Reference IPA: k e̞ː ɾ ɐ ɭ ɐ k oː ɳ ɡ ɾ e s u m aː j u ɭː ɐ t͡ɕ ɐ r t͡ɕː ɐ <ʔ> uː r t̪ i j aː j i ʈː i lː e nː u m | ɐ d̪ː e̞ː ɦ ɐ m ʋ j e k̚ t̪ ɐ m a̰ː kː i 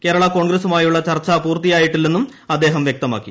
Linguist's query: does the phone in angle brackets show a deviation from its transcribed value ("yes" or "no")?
yes